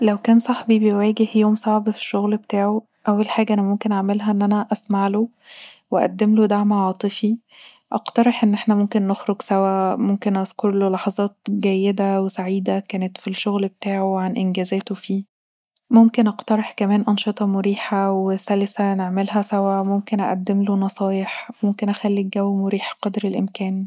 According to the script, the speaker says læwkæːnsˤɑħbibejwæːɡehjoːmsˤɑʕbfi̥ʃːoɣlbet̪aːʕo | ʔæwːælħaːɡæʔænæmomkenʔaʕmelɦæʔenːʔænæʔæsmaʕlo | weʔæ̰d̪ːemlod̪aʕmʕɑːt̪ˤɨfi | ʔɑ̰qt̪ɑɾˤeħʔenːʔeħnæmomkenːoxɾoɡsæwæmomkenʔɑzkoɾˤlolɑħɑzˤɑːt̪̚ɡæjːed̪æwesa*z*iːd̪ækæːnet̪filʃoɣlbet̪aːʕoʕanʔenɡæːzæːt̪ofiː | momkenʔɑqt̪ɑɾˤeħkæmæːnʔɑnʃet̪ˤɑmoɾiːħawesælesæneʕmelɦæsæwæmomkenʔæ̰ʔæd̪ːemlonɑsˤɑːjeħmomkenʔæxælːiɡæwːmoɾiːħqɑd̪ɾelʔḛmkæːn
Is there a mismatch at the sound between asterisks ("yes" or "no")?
yes